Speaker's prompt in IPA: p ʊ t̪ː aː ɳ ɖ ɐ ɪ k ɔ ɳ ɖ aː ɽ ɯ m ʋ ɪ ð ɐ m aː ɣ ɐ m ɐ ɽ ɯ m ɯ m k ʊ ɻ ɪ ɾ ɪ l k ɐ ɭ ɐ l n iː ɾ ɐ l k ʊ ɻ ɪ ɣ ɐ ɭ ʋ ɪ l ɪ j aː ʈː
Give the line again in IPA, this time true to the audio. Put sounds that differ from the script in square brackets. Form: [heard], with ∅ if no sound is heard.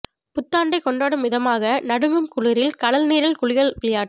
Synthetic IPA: p ʊ t̪ː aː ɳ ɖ ɐ ɪ k ɔ ɳ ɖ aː ɽ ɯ m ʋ ɪ ð ɐ m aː ɣ ɐ [n] ɐ ɽ ɯ m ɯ m k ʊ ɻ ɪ ɾ ɪ l k ɐ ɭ ɐ l n iː ɾ ɐ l k ʊ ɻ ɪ ɣ ɐ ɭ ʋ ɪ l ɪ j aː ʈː